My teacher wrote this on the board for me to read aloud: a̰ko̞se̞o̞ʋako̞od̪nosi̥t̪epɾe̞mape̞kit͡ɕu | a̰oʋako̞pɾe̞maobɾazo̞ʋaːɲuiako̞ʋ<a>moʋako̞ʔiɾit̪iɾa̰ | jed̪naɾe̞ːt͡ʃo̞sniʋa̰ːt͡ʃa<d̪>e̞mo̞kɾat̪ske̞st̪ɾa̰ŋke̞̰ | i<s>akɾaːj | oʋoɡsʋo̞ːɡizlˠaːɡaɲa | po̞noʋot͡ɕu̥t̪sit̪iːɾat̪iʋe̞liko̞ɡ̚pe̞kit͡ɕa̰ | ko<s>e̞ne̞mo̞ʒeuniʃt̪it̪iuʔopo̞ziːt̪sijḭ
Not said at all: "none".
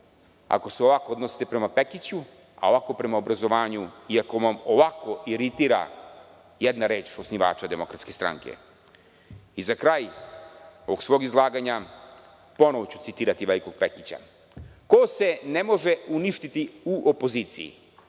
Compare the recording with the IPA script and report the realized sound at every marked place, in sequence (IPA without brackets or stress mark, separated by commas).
a, d̪, z, s